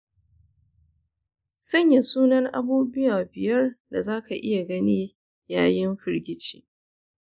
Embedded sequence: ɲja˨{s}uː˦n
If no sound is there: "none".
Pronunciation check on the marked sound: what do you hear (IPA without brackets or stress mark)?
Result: s